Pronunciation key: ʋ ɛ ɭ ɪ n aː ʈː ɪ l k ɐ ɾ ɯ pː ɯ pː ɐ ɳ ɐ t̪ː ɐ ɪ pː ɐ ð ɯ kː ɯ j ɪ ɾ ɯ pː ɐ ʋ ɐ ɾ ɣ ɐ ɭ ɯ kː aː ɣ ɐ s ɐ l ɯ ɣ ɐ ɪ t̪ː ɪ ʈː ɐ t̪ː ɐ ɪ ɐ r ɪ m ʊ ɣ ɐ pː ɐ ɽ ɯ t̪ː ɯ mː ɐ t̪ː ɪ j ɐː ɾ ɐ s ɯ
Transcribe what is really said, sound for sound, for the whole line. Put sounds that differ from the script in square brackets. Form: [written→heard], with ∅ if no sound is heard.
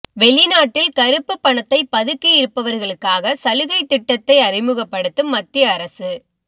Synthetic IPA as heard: ʋ ɛ ɭ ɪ n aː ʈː ɪ l k ɐ ɾ ɯ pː ɯ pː ɐ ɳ ɐ t̪ː ɐ ɪ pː ɐ ð ɯ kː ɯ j ɪ ɾ ɯ pː ɐ ʋ ɐ ɾ ɣ ɐ ɭ ɯ kː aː ɣ ɐ s ɐ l ɯ ɣ ɐ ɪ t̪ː ɪ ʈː ɐ t̪ː ɐ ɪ ɐ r ɪ m [ʊ→ɯ] ɣ ɐ pː ɐ ɽ ɯ t̪ː ɯ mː ɐ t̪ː ɪ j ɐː ɾ ɐ s ɯ